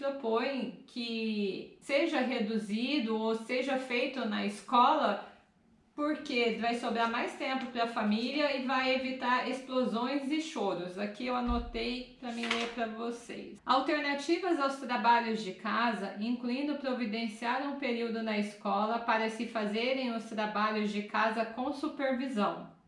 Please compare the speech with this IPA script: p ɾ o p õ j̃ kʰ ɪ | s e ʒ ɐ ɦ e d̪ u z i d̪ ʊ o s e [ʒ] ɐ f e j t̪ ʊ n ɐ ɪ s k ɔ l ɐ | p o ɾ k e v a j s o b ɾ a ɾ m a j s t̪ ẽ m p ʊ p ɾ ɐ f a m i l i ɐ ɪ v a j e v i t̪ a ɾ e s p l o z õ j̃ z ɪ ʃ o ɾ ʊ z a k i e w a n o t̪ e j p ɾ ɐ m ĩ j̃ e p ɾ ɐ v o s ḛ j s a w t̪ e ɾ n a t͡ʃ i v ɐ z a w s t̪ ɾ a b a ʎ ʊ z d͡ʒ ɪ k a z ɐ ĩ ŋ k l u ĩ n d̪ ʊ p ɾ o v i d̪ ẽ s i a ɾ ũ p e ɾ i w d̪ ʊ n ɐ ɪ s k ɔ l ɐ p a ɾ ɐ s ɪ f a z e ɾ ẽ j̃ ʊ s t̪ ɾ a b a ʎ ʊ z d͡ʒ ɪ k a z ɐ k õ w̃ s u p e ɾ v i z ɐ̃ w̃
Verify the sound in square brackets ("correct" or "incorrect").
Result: correct